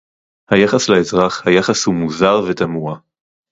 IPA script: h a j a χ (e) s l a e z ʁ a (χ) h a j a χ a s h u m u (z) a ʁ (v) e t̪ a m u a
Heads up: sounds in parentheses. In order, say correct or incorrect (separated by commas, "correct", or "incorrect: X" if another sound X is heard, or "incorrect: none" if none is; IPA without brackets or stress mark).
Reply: incorrect: a, correct, correct, correct